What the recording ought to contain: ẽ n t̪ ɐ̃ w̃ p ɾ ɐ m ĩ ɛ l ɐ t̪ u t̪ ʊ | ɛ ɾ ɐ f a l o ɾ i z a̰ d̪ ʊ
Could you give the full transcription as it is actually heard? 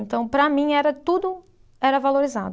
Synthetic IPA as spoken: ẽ n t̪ ɐ̃ w̃ p ɾ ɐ m ĩ ɛ ɾ ɐ t̪ u d̪ ʊ | ɛ ɾ ɐ v a l o ɾ i z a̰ d̪ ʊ